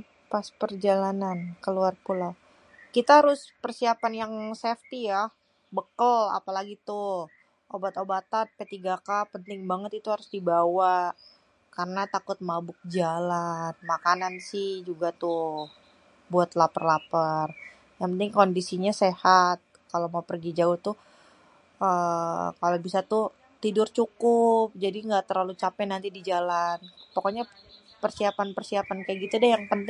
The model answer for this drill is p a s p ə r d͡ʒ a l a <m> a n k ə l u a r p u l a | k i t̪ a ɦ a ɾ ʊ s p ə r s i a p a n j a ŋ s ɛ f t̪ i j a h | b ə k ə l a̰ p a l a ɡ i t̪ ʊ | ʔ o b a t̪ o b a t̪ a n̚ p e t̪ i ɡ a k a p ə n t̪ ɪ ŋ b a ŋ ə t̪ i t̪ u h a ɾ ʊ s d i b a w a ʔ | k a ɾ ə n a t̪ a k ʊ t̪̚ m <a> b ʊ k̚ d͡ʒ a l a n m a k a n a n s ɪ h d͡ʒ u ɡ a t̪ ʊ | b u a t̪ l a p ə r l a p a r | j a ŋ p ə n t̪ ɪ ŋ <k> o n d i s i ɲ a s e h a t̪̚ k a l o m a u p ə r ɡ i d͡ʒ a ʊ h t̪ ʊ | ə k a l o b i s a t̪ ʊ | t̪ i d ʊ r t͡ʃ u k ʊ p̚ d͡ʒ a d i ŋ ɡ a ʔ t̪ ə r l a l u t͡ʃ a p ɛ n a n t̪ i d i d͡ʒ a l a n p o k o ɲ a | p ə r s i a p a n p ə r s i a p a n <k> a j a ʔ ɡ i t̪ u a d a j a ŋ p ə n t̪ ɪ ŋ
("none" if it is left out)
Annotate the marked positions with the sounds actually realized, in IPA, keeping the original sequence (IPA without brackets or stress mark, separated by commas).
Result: n, a, k, k